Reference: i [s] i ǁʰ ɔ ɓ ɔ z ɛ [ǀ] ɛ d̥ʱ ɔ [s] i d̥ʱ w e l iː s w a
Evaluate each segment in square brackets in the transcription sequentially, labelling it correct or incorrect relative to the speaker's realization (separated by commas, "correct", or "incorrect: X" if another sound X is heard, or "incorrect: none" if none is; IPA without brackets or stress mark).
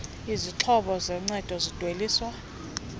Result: incorrect: z, incorrect: ŋ͡ǀ, incorrect: z